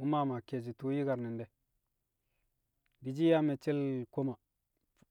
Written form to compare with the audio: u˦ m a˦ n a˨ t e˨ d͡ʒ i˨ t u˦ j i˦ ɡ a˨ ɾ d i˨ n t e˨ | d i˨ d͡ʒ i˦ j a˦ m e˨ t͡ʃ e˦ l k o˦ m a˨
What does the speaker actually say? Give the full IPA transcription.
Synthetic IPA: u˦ m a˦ m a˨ k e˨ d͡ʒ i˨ t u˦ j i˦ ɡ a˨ ɾ n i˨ n d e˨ | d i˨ d͡ʒ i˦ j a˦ m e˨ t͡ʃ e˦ l k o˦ m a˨